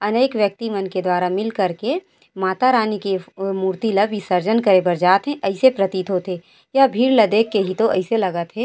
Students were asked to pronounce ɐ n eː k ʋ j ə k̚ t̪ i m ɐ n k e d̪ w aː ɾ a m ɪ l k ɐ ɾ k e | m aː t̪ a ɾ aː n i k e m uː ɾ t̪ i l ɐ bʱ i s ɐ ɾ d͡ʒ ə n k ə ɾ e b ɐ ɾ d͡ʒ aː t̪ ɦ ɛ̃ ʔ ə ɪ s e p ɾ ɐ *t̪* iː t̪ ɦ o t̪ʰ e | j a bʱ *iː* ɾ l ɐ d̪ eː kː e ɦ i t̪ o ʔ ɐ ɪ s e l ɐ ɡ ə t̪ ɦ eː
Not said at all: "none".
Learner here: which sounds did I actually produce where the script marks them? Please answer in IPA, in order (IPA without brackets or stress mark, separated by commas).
t̪, iː